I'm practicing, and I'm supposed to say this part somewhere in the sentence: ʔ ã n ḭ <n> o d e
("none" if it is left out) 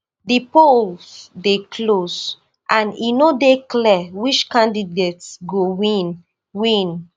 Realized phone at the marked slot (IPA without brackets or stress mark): n